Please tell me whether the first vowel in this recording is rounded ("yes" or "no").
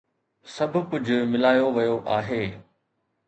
no